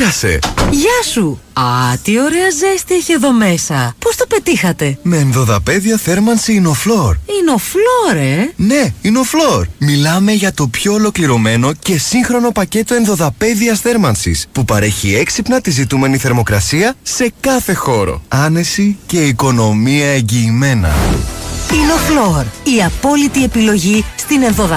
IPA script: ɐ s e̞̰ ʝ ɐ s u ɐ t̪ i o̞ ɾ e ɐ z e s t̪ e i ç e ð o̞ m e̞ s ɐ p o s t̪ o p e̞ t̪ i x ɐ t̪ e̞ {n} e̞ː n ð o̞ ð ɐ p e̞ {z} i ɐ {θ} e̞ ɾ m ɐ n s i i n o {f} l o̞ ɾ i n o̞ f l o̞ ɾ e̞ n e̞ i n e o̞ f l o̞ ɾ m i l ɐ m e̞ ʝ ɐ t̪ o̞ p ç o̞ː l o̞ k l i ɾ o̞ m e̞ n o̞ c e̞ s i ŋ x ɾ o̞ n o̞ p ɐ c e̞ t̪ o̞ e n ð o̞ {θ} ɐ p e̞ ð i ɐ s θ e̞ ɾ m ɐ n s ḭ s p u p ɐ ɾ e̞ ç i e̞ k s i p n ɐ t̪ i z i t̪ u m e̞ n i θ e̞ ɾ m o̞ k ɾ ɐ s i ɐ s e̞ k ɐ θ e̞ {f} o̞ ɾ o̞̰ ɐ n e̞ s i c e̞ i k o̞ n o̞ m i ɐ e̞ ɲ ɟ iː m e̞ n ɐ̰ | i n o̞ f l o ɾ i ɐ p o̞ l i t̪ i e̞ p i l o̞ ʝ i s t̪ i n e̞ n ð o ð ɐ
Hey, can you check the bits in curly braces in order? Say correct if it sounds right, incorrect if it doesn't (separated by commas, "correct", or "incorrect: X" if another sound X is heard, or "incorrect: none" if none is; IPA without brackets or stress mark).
incorrect: m, incorrect: ð, correct, correct, incorrect: ð, incorrect: x